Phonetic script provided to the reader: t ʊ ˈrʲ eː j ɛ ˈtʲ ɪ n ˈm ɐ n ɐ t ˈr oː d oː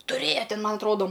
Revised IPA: t ʊ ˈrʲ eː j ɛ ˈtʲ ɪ n ˈm ɐ n ɐ t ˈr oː d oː